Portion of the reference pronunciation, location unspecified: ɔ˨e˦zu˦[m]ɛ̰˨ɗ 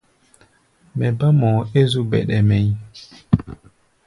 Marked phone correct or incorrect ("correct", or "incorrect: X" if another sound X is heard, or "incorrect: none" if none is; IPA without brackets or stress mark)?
incorrect: b